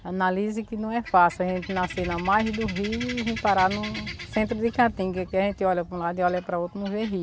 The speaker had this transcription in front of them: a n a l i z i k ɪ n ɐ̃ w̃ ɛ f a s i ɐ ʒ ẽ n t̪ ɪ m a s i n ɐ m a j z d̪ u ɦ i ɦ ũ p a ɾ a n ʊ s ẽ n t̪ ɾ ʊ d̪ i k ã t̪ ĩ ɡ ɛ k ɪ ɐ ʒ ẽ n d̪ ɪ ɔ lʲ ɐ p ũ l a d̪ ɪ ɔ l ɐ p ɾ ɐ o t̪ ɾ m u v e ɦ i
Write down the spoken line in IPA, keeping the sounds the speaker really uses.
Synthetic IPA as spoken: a n a l i z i k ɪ n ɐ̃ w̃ ɛ f a s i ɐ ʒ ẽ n t̪ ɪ n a s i n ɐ m a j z d̪ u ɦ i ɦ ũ p a ɾ a n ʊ s ẽ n t̪ ɾ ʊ d̪ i k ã t̪ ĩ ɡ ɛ k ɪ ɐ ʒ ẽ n t̪ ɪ ɔ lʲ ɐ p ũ l a d̪ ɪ ɔ l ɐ p ɾ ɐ o t̪ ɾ m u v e ɦ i